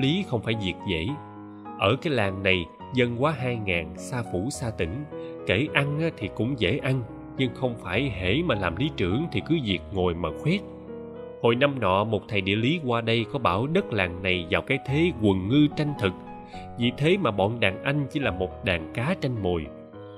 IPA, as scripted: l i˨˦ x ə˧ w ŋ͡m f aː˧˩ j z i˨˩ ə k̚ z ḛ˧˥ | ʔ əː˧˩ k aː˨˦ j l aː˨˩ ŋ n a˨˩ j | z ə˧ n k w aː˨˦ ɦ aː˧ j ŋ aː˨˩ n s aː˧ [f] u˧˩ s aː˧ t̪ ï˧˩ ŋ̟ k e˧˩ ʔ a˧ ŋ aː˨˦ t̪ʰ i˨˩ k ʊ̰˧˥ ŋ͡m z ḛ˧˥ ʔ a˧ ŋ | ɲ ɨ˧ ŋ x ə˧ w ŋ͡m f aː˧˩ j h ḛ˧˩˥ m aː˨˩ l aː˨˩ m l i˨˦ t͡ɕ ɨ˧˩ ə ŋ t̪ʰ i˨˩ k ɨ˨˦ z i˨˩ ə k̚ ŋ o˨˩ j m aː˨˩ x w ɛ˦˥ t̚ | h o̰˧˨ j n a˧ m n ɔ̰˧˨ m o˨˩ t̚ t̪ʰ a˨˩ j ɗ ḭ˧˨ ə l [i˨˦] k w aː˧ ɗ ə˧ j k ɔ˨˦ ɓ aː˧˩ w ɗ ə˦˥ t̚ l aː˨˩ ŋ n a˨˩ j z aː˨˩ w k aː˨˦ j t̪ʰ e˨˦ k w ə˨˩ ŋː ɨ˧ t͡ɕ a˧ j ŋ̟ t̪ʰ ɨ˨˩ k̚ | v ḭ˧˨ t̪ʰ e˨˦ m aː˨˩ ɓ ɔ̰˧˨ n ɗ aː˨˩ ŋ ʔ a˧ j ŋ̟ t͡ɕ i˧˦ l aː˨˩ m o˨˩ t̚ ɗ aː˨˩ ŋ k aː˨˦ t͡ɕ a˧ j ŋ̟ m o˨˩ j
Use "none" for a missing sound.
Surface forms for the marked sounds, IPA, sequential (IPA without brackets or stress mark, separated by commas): f, i˨˦